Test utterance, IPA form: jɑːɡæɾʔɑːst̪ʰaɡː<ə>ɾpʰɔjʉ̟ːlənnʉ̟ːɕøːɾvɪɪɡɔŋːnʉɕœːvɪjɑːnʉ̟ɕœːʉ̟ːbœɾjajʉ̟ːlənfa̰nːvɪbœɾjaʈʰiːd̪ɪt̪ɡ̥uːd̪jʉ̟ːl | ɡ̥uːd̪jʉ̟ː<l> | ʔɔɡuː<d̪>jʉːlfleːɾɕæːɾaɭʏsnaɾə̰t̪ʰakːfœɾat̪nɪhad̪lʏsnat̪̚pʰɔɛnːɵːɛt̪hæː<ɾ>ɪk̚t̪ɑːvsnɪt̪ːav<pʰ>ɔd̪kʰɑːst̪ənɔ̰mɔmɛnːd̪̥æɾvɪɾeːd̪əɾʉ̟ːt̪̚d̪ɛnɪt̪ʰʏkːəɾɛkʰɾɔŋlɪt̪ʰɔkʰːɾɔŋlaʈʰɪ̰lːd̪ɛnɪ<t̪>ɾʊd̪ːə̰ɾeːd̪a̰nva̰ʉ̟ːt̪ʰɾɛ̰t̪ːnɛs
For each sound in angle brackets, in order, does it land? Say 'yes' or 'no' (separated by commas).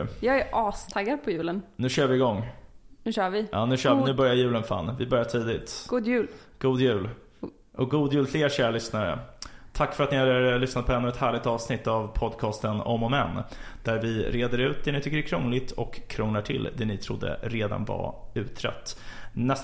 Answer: no, yes, yes, no, yes, no